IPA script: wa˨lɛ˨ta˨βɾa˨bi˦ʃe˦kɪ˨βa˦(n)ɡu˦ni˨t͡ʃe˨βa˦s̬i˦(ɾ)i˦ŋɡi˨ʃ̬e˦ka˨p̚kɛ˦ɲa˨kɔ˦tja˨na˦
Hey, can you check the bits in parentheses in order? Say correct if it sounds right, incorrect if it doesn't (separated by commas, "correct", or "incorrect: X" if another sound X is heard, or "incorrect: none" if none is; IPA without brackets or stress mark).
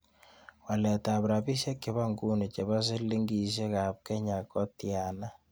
incorrect: ŋ, incorrect: l